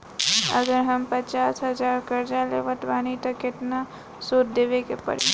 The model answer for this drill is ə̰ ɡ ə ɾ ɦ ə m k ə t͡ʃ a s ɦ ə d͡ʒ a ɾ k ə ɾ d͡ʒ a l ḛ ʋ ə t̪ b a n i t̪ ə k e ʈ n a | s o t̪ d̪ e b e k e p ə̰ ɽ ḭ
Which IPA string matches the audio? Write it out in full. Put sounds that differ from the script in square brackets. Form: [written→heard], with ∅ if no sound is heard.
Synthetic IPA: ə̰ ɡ ə ɾ ɦ ə m [k→p] ə t͡ʃ a s ɦ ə d͡ʒ a ɾ k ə ɾ d͡ʒ a l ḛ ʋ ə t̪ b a n i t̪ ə k e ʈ n a | s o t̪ d̪ e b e k e p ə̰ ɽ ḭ